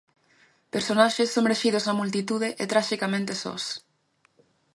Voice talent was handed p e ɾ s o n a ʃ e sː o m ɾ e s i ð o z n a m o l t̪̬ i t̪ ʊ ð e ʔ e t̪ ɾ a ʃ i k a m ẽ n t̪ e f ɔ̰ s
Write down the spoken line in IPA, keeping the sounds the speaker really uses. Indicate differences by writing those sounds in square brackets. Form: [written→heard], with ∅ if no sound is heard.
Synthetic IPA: p e ɾ s o n a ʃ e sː o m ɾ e [s→ʃ] i ð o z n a m [o→u] l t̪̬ i t̪ [ʊ→u] ð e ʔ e t̪ ɾ a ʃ i k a m ẽ n t̪ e [f→s] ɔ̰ s